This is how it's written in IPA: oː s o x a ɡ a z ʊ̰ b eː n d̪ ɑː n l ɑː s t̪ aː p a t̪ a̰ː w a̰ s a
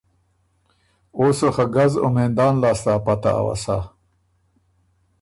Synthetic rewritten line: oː s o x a ɡ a z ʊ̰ m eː n d̪ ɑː n l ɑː s t̪ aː p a t̪ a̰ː w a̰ s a